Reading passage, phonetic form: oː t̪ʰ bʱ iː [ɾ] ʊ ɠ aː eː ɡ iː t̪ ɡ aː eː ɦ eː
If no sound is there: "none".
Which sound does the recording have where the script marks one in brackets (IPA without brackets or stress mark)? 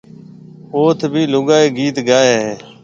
l